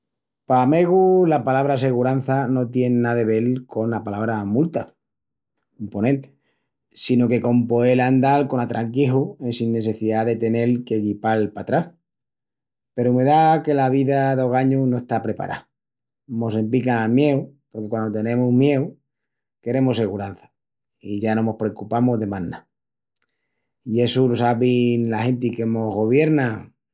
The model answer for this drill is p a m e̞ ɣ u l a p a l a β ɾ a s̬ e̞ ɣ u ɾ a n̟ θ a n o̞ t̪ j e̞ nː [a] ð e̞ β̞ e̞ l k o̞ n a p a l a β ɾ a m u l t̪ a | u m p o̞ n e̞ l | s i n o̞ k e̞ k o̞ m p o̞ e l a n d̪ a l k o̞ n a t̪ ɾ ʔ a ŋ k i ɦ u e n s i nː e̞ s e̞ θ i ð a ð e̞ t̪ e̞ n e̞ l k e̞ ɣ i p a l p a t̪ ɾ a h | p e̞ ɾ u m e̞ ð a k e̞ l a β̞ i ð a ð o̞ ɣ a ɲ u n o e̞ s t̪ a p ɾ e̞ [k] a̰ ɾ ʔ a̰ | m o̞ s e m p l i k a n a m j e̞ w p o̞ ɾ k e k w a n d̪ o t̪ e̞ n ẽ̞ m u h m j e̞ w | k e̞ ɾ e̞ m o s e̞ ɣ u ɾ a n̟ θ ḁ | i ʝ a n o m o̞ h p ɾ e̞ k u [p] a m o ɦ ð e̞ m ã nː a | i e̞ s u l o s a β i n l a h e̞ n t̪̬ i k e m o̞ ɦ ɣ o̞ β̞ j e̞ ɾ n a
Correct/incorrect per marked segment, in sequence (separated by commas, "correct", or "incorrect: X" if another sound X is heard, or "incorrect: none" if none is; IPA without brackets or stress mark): correct, incorrect: p, correct